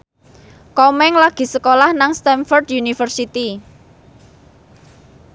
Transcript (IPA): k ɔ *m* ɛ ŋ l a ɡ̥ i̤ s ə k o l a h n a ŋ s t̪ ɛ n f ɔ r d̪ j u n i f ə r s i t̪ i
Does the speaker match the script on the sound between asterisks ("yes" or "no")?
yes